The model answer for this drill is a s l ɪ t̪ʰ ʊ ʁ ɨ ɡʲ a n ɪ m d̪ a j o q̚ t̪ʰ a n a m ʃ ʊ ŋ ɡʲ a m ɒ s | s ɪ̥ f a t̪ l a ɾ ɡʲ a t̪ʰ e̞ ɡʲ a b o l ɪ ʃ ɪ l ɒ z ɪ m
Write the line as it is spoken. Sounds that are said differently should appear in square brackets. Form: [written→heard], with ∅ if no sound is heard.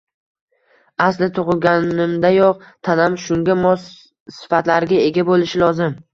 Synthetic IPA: a s l ɪ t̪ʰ ʊ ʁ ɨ ɡʲ a n ɪ m d̪ a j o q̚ t̪ʰ a n a m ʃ ʊ ŋ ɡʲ a m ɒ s | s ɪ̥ f a t̪ l a ɾ ɡʲ a [t̪ʰ→∅] e̞ ɡʲ a b o l ɪ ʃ ɪ l ɒ z ɪ m